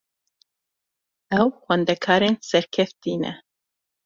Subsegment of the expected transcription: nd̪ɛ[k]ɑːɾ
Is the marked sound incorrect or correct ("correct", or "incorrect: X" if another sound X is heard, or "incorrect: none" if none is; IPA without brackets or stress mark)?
incorrect: kʰ